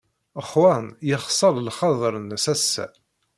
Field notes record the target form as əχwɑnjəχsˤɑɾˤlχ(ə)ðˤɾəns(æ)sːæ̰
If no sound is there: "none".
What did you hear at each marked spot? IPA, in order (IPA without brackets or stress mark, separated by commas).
ɑ, æ